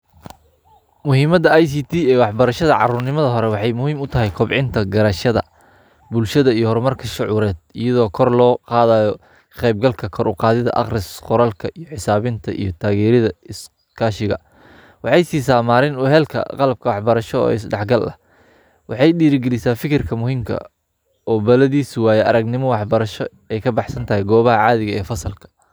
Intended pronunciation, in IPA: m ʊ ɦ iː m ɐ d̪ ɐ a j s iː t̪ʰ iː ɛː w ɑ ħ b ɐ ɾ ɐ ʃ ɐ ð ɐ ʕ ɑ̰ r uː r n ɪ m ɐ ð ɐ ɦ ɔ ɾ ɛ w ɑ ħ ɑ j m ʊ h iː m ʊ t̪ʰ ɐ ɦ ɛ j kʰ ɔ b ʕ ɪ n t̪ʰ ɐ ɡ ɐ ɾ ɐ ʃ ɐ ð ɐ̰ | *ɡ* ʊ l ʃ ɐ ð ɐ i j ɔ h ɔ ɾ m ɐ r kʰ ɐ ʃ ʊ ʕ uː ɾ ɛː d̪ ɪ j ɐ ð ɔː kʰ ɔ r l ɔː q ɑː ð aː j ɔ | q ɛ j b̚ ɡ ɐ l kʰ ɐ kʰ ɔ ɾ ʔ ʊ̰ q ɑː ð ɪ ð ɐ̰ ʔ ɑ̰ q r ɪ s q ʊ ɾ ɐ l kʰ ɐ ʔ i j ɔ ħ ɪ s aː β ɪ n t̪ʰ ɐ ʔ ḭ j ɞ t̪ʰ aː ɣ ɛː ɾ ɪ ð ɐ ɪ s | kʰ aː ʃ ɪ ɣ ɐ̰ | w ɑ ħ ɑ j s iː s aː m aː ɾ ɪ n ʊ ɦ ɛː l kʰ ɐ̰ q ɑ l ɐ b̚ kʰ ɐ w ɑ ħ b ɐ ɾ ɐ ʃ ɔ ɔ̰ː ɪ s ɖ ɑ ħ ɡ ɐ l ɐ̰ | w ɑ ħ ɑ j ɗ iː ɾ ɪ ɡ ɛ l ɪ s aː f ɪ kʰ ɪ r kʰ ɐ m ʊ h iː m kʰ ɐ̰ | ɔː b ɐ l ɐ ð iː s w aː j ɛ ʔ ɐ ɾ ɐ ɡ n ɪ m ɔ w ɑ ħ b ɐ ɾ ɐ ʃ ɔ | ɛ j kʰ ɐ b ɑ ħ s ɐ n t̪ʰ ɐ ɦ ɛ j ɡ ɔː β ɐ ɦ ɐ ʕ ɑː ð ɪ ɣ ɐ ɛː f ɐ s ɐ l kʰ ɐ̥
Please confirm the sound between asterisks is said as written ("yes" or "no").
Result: no